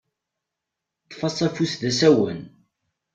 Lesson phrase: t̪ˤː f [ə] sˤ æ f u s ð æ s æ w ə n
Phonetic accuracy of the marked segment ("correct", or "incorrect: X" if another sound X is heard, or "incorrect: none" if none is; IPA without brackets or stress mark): incorrect: ɑ